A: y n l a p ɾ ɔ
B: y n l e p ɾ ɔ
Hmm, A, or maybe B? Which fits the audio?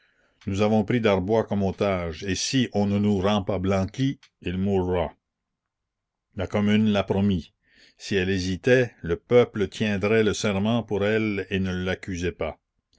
A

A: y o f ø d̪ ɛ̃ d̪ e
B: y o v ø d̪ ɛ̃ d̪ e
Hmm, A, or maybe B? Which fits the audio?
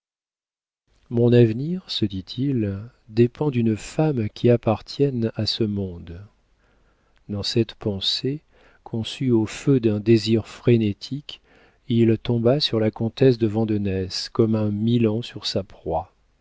A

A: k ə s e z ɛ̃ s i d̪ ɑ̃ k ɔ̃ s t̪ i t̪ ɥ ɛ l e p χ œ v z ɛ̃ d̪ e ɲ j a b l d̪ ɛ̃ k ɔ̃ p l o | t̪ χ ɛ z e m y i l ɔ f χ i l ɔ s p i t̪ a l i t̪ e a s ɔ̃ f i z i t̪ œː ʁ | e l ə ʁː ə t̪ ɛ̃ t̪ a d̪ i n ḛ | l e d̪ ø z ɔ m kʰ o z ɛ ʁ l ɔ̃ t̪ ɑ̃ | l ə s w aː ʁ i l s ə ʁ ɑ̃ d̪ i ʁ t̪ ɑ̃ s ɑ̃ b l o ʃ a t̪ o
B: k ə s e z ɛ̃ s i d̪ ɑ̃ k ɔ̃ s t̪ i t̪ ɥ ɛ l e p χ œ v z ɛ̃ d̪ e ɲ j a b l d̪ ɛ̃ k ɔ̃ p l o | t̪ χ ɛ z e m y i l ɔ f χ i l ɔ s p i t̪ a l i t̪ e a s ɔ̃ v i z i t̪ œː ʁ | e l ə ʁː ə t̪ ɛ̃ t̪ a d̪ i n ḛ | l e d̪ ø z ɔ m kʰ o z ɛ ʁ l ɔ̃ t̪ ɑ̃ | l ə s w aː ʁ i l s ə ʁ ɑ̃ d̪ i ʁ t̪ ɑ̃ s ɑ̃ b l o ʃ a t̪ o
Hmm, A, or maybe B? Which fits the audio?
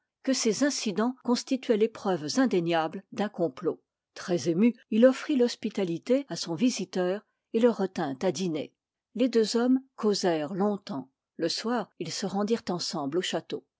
B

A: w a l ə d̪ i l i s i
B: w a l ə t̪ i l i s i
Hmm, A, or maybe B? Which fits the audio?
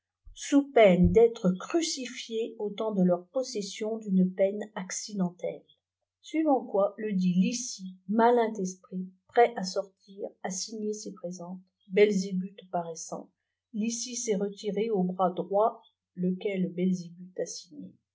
A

